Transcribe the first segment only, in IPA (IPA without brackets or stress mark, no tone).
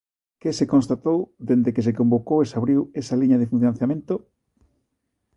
k